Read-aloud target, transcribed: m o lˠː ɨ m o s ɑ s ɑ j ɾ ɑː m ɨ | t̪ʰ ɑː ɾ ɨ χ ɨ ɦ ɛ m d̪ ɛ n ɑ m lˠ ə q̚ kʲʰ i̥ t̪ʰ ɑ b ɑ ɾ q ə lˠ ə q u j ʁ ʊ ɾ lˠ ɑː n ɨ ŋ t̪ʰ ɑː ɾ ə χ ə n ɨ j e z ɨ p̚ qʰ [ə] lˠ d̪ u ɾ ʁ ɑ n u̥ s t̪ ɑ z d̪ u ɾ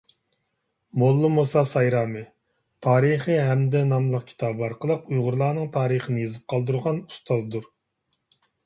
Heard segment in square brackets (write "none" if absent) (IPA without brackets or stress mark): ɑ